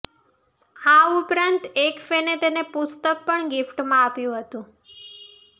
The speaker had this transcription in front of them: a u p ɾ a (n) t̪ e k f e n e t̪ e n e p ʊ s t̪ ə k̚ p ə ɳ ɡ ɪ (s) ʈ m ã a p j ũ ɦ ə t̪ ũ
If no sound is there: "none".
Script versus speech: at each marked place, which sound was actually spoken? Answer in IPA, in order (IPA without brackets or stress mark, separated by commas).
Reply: n, f